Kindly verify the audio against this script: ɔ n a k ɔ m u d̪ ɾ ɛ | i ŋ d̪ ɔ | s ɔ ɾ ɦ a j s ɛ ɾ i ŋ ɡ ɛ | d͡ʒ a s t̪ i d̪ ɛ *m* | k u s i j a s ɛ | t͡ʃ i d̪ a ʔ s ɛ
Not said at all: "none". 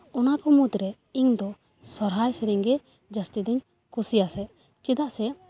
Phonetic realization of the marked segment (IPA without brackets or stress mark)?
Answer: ɲ